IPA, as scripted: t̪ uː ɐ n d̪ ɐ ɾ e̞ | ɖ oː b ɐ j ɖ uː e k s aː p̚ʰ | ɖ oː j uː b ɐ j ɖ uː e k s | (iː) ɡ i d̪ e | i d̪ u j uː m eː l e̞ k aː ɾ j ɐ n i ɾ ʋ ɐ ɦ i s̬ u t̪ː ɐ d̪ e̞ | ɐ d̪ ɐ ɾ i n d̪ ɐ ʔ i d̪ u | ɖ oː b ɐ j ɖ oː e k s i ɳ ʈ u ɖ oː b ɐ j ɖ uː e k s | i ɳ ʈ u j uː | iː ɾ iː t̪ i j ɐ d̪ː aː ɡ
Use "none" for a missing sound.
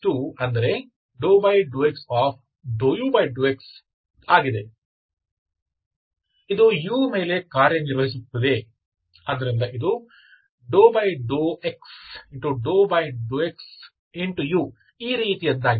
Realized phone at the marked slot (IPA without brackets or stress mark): aː